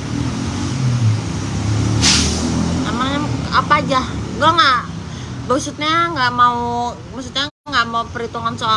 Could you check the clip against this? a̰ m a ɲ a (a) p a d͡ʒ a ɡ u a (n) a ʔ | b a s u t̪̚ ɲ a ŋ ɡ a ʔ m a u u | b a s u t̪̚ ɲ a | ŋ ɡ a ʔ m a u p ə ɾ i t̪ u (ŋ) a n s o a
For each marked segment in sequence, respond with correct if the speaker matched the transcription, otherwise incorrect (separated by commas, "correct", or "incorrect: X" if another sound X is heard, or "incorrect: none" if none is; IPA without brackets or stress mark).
correct, incorrect: ŋ, correct